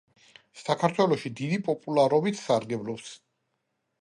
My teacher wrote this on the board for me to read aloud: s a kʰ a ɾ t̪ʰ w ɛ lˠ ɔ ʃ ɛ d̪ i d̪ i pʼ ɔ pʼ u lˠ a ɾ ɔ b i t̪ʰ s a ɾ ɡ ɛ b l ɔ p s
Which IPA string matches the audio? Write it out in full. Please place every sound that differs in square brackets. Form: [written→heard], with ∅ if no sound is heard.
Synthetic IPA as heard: s a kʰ a ɾ t̪ʰ w ɛ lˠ ɔ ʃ [ɛ→i] d̪ i d̪ i pʼ ɔ pʼ u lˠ a ɾ ɔ b i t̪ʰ s a ɾ ɡ ɛ b l ɔ p s